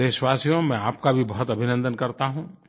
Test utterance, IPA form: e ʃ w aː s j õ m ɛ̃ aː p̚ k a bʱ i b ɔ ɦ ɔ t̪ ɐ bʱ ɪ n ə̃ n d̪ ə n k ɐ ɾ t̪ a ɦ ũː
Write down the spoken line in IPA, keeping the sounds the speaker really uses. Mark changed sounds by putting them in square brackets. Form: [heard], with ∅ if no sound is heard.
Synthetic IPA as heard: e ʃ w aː s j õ m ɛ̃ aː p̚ k a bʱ i b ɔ ɦ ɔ t̪ ɐ bʱ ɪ n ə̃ n d̪ ə n k ɐ ɾ t̪ a ɦ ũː